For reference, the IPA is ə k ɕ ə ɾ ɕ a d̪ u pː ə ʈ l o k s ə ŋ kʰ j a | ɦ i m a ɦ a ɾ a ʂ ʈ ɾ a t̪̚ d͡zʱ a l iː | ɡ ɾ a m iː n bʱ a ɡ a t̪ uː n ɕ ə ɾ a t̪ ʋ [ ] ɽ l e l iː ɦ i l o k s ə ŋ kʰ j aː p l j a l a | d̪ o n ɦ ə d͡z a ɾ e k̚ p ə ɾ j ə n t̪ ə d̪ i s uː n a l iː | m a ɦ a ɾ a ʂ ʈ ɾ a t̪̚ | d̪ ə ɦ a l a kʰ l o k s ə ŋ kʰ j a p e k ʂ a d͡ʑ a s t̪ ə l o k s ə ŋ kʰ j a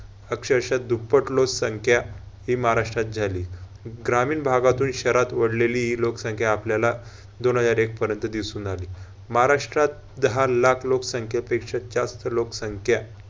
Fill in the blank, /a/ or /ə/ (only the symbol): ə